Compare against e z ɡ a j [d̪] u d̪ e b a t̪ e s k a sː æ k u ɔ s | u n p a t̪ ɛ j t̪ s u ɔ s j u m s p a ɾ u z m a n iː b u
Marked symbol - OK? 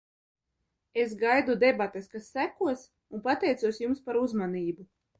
yes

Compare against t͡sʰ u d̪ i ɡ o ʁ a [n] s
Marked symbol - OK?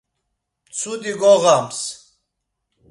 no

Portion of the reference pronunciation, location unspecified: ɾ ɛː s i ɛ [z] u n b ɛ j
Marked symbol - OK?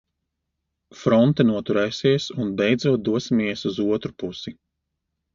no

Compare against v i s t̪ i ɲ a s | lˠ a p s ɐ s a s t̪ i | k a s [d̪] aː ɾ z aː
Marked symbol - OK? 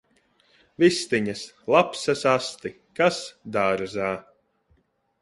yes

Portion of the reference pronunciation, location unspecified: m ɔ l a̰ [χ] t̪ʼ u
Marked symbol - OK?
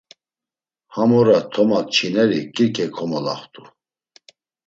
yes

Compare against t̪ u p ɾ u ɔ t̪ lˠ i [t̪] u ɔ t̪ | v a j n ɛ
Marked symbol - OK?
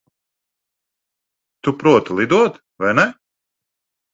no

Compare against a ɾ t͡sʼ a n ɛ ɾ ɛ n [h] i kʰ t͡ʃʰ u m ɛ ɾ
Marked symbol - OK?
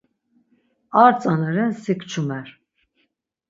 no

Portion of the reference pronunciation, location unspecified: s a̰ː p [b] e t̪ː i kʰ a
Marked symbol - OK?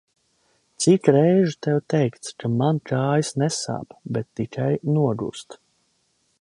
yes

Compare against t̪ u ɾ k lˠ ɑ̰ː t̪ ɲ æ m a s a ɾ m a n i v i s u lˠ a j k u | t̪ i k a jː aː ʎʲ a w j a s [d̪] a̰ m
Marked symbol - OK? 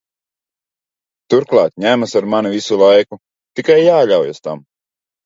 no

